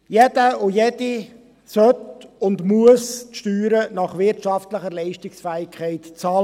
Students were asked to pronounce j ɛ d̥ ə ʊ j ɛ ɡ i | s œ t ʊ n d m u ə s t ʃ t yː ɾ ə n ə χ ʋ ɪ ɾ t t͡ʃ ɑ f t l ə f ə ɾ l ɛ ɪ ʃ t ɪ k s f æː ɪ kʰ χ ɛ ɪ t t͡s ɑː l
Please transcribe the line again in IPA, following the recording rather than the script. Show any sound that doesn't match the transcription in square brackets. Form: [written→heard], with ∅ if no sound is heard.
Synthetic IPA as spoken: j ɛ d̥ ə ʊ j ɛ [ɡ→d] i | s œ t ʊ n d m u ə s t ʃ t yː ɾ ə n [ə→ɑ] χ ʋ ɪ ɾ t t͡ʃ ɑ f t l ə [f→χ] ə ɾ l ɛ ɪ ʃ t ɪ k s f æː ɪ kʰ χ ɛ ɪ t t͡s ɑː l